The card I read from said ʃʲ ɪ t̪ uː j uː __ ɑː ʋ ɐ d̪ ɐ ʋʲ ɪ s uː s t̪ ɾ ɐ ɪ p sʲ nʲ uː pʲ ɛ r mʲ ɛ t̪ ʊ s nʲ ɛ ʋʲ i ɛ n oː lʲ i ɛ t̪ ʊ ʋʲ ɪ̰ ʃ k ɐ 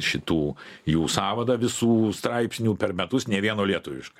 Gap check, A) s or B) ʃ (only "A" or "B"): A